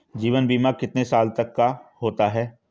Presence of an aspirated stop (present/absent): absent